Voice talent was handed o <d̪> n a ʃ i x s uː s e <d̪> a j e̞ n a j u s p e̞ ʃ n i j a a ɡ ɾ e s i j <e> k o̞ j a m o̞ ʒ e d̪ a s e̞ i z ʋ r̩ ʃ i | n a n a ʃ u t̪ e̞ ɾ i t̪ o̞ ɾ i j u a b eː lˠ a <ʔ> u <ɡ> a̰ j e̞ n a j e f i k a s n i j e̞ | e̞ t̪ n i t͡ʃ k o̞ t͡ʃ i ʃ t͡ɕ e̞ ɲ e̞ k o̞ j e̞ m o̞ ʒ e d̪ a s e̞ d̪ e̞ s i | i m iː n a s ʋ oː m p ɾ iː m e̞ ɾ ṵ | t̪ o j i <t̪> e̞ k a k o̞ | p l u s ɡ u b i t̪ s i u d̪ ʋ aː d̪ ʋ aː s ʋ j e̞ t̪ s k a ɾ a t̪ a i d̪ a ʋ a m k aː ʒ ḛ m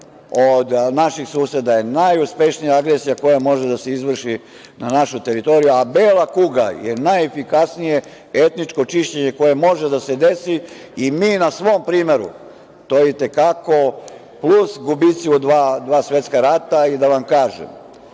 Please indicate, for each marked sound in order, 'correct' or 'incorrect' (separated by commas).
correct, correct, incorrect, incorrect, correct, correct